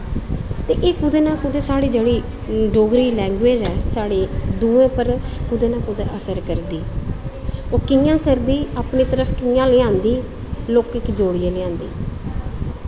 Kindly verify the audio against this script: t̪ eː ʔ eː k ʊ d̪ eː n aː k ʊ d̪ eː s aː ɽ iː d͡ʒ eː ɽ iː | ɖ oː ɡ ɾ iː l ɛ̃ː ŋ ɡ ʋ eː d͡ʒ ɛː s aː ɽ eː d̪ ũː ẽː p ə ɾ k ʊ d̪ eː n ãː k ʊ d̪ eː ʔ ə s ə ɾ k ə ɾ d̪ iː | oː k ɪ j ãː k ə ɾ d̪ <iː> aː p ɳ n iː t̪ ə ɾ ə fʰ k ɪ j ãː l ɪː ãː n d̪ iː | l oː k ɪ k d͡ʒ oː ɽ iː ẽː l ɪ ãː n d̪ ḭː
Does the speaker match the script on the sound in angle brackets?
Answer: yes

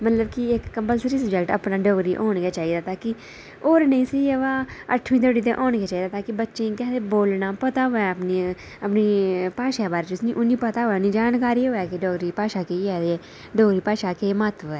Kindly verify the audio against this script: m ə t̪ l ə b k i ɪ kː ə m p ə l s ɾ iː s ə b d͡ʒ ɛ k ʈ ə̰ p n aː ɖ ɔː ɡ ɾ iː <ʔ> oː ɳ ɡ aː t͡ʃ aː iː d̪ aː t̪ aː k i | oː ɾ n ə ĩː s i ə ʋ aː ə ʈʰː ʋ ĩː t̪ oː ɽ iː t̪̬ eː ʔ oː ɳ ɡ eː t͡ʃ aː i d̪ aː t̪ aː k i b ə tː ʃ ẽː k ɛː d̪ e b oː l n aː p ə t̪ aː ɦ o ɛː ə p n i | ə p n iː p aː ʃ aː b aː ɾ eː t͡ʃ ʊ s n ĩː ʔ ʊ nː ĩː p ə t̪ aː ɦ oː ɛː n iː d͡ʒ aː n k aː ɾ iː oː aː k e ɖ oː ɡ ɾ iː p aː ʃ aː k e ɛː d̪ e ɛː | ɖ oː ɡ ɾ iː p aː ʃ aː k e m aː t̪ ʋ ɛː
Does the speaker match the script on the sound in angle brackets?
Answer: yes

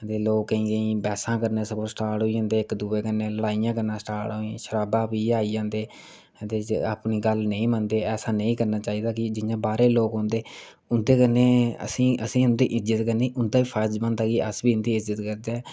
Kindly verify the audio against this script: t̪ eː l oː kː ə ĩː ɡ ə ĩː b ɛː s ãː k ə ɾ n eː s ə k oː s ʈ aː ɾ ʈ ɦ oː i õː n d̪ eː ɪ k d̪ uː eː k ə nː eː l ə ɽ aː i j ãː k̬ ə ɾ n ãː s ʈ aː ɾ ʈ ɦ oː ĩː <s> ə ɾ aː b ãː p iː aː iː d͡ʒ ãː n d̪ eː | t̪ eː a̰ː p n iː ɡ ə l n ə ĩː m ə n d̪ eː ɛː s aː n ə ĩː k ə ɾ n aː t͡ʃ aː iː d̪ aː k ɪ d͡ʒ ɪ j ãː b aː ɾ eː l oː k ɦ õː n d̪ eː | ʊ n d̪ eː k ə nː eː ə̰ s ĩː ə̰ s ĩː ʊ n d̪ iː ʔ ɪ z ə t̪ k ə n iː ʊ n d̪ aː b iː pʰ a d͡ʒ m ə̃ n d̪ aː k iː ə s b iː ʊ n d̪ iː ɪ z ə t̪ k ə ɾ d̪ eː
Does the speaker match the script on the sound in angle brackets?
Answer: no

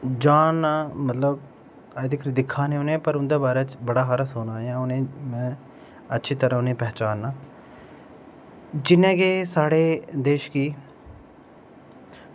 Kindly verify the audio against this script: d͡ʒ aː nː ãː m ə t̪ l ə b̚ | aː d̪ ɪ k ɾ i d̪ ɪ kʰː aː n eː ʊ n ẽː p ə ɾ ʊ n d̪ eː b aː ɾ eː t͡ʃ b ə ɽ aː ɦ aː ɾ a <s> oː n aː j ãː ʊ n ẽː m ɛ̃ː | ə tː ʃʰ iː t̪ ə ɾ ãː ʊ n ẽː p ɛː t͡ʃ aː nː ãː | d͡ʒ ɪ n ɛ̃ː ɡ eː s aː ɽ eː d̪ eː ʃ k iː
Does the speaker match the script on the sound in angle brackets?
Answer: yes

